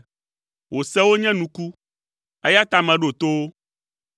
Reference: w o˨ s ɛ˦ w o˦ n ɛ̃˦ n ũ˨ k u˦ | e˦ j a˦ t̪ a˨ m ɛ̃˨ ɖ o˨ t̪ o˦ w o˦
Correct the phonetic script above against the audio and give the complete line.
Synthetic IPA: w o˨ s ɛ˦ w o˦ ɲ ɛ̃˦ n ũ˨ k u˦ | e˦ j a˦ t̪ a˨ m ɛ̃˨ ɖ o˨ t̪ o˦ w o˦